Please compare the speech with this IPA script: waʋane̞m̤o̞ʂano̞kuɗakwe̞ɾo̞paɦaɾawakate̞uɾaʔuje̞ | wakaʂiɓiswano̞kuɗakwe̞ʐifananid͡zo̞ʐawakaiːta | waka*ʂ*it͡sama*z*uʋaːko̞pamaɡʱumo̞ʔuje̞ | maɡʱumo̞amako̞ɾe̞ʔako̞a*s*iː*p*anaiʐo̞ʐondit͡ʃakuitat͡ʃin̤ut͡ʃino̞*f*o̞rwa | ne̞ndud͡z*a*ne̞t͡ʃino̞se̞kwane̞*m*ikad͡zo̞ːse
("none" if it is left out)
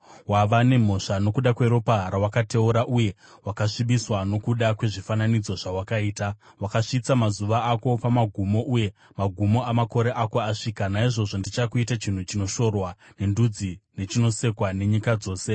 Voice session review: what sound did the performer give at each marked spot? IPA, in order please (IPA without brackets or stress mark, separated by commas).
ʂ, z, ʂ, k, ʃ, i, ɲ